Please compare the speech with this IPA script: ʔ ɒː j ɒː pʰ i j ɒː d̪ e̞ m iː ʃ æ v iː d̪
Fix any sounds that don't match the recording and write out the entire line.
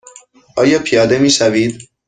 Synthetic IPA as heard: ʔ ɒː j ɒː pʰ i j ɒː d̪ e̞ m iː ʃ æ v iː d̪